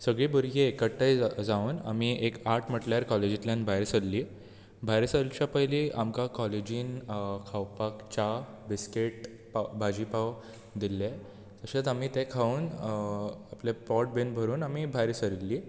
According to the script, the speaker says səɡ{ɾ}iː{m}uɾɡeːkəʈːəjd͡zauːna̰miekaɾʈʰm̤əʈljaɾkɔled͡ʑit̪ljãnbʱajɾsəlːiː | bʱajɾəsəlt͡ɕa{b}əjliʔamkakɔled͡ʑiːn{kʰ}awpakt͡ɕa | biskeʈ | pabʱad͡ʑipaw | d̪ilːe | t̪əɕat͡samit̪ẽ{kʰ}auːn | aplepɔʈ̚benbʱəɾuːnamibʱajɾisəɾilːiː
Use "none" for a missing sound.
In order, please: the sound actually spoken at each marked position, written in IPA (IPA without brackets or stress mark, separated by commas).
ɭ, b, p, kʰ, kʰ